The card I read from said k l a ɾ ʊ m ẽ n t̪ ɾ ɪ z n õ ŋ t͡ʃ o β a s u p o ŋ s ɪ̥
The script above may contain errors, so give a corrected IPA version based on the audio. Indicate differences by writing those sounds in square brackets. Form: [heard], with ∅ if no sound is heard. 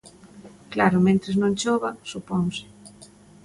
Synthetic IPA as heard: k l a ɾ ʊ m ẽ n t̪ ɾ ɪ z n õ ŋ t͡ʃ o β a s u p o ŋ s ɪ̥